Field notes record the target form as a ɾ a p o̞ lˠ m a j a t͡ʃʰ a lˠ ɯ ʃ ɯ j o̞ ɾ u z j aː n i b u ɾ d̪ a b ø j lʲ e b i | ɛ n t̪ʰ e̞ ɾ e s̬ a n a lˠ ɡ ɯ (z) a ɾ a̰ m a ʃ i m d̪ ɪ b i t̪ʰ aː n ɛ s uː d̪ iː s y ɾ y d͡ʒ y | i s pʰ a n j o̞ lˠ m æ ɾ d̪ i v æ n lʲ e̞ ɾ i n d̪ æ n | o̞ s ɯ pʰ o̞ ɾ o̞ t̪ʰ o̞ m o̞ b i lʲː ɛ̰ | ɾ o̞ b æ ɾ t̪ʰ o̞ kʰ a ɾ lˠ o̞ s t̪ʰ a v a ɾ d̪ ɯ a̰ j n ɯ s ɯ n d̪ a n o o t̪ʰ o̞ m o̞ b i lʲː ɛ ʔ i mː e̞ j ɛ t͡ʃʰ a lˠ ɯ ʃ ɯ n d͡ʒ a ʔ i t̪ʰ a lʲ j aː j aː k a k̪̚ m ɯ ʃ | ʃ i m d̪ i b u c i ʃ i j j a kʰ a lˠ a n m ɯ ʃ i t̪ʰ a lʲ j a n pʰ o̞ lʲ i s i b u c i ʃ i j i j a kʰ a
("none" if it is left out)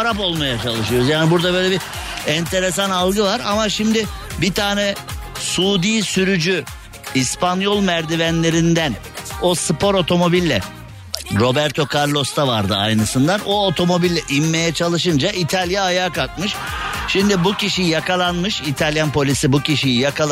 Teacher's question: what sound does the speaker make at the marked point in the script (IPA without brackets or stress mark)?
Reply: v